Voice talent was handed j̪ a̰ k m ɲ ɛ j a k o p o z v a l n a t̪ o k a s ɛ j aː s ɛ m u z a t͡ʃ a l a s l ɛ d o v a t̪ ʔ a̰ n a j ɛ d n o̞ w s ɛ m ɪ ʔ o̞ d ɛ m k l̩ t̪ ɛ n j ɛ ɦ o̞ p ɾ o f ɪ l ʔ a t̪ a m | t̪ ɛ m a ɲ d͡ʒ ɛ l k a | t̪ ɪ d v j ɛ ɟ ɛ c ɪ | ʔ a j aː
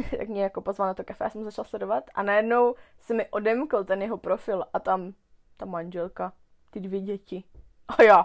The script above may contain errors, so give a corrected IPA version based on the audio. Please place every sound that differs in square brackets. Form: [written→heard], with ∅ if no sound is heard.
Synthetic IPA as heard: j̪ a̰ k m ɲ ɛ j a k o p o z v a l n a t̪ o k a [s→f] ɛ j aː s ɛ m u z a t͡ʃ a l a s l ɛ d o v a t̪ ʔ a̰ n a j ɛ d n o̞ w s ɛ m ɪ ʔ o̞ d ɛ m k l̩ t̪ ɛ n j ɛ ɦ o̞ p ɾ o f ɪ l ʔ a t̪ a m | t̪ [ɛ→a] m a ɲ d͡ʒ ɛ l k a | t̪ ɪ d v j ɛ ɟ ɛ c ɪ | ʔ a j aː